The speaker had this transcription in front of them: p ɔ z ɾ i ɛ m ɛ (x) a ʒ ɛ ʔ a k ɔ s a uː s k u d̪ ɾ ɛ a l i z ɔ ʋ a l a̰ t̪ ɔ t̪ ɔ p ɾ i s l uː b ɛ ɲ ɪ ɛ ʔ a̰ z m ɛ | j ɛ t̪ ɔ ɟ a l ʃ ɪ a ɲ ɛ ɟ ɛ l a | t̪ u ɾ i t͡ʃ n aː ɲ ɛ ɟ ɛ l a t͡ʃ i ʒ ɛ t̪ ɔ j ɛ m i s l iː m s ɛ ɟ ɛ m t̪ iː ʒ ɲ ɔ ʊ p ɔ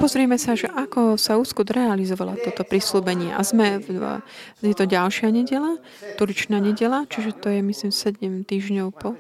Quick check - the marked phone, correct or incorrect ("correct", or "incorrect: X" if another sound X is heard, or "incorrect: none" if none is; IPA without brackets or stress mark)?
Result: incorrect: s